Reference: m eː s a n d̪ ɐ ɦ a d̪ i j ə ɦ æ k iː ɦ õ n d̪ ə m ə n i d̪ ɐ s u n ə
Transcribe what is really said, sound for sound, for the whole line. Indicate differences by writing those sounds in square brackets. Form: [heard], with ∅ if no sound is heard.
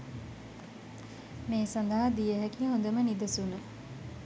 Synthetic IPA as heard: m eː s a n d̪ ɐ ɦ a d̪ i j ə ɦ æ k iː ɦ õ n d̪ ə m ə n i d̪ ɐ s u n ə